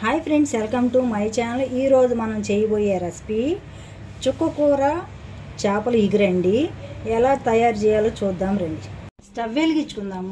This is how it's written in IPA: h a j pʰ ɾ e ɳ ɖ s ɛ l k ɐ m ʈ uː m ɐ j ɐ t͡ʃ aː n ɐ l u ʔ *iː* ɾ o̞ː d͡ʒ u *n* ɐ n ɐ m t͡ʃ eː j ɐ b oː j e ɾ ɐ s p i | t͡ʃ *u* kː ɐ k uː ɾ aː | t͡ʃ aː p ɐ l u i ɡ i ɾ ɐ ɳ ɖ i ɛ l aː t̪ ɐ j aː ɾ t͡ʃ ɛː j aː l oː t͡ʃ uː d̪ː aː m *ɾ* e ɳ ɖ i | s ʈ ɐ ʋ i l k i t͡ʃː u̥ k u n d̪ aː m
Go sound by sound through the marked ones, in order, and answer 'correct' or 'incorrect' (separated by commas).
correct, incorrect, correct, correct